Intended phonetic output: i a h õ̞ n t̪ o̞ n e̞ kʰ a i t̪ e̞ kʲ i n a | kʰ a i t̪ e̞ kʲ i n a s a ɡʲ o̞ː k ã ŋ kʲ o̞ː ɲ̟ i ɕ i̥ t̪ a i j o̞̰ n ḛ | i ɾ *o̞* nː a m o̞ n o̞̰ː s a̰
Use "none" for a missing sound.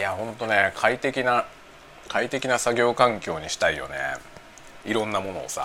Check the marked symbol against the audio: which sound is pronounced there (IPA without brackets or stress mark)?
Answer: õ̞